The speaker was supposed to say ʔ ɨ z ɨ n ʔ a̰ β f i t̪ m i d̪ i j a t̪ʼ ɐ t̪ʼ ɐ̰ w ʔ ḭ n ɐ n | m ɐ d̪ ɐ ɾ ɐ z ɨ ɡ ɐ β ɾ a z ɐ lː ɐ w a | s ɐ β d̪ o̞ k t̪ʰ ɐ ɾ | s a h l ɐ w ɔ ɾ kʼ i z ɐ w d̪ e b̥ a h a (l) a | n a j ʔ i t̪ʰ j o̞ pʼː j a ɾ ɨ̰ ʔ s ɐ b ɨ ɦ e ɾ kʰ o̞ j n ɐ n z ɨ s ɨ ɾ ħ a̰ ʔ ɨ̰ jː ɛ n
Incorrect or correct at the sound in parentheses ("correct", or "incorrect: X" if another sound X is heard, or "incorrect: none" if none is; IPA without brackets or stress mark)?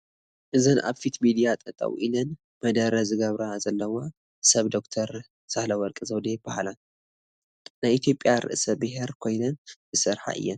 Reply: correct